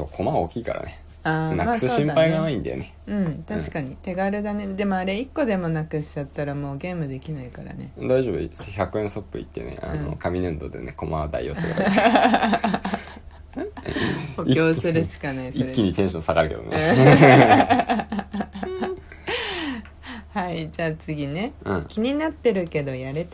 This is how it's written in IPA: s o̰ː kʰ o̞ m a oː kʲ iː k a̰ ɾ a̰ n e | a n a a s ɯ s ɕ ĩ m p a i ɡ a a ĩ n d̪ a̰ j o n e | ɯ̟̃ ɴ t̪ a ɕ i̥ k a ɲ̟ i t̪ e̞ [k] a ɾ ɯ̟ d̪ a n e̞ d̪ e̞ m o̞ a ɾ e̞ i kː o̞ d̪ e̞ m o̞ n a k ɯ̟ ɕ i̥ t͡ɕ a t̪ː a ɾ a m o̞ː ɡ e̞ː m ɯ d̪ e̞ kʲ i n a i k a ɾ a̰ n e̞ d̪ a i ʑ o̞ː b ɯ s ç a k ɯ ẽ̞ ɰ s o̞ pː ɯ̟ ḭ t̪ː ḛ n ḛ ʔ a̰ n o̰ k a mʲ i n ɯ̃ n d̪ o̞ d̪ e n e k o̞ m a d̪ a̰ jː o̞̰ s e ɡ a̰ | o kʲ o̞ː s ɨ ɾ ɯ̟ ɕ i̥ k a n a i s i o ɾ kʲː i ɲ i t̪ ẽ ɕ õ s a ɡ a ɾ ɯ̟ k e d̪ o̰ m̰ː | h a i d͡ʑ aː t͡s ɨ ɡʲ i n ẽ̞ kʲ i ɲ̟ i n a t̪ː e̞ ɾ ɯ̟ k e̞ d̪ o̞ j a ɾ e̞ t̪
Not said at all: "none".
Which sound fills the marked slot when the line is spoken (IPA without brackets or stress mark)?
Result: ɡ